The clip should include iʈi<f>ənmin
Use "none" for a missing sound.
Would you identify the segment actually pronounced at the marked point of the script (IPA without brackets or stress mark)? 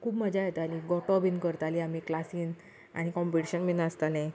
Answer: ɕ